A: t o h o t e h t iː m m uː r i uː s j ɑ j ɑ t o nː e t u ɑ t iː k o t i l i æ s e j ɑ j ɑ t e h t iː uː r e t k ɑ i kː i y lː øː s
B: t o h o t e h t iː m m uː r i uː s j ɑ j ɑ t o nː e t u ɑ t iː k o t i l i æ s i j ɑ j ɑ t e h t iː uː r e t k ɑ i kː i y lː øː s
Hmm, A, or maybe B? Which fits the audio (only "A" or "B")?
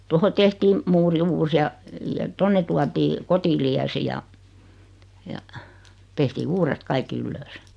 B